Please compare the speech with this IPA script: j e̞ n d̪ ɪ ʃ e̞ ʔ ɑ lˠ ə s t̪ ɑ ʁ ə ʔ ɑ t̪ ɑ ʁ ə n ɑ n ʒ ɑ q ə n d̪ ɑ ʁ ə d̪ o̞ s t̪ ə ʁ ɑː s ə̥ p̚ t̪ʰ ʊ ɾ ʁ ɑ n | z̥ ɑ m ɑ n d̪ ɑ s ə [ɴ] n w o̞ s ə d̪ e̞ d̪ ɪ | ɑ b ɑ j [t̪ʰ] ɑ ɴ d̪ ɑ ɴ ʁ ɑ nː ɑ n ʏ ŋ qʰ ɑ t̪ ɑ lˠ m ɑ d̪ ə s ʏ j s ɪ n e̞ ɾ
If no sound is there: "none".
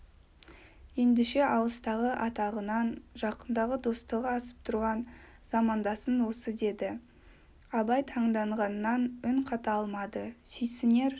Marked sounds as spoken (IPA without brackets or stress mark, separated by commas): none, t̪ʰ